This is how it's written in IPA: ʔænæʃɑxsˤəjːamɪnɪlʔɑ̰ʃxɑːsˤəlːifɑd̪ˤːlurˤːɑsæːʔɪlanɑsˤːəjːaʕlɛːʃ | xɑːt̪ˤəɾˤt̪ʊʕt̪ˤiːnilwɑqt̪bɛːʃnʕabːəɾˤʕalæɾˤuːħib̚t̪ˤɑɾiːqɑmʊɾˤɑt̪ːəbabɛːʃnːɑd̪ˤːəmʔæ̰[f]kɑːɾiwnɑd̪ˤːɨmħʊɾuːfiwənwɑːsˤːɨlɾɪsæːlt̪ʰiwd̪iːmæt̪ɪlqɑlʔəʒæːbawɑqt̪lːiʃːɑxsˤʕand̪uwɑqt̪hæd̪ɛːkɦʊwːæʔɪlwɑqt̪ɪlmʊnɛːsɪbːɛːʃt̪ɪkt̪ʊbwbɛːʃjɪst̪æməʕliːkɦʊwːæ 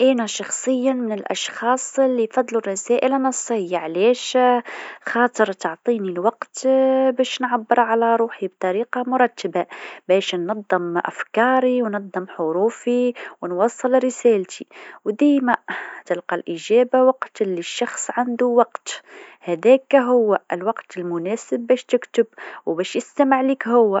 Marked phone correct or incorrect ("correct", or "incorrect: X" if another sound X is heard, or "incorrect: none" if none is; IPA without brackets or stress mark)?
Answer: correct